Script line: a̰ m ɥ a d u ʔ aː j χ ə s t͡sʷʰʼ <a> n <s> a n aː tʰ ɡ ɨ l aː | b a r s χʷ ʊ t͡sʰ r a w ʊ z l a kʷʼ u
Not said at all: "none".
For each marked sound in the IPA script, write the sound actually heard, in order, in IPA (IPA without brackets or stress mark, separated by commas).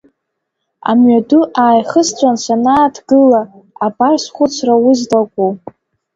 a, s